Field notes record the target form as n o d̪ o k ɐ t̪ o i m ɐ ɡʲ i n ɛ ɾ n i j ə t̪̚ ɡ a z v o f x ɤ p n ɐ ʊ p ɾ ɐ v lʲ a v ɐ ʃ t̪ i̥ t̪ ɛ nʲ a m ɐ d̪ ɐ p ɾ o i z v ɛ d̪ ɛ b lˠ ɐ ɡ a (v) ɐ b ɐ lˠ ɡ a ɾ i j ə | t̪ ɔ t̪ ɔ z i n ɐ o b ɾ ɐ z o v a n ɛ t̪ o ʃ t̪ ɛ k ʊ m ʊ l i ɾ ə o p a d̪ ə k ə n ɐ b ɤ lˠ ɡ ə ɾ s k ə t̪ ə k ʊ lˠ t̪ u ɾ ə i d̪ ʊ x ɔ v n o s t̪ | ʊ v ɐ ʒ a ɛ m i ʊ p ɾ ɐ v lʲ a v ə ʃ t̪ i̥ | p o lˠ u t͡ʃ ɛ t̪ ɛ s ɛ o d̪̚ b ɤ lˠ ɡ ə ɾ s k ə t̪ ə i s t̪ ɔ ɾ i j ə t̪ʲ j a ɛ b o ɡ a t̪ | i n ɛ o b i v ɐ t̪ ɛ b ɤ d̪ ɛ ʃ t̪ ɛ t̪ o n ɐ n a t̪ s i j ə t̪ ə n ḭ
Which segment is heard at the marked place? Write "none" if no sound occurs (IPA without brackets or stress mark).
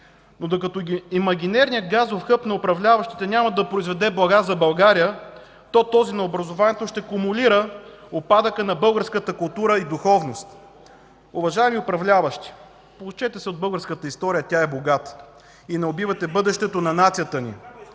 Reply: z